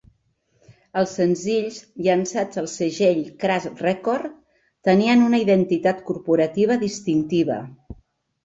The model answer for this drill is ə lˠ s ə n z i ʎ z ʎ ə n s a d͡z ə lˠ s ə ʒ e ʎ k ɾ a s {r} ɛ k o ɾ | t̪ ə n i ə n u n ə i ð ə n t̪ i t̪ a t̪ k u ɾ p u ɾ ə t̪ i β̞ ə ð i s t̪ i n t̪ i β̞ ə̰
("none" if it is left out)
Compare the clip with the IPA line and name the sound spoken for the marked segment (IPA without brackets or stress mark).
r